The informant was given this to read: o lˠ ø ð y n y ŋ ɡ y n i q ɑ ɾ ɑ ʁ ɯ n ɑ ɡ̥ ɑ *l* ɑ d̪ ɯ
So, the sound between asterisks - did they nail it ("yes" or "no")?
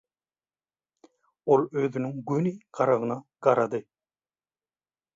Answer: no